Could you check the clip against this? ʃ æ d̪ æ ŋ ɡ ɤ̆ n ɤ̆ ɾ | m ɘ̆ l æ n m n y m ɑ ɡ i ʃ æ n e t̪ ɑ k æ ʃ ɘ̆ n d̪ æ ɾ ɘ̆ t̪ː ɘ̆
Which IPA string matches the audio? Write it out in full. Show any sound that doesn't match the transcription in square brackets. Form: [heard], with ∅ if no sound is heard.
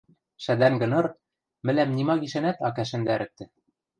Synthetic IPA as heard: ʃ æ d̪ æ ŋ ɡ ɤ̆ n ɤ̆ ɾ | m ɘ̆ l æ [∅] m n [i] m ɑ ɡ i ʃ æ n [æ] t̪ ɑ k æ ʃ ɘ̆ n d̪ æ ɾ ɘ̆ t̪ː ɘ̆